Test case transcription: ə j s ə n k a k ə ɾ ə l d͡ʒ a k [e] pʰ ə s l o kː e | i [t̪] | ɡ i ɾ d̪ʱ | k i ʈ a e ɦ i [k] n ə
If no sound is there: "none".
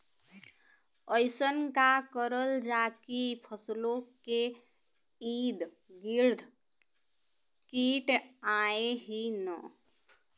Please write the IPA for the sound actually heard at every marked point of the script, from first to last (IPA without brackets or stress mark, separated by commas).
i, d̪, none